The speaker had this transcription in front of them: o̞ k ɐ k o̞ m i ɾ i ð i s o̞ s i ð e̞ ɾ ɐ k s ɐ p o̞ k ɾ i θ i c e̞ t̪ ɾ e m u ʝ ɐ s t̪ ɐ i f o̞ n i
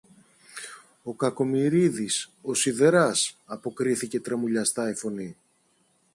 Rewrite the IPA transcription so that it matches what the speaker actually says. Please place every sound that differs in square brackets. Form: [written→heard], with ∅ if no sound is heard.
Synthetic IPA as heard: o̞ k ɐ k o̞ m i ɾ i ð i s o̞ s i ð e̞ ɾ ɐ [k→∅] s ɐ p o̞ k ɾ i θ i c e̞ t̪ ɾ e m u [ʝ→ʎ] ɐ s t̪ ɐ i f o̞ n i